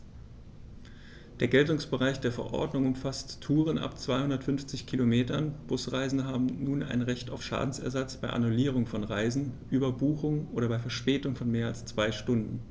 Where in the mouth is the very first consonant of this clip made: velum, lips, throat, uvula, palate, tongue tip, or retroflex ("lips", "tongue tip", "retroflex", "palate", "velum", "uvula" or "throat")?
tongue tip